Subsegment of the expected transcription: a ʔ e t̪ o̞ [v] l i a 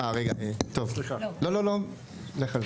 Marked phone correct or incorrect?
correct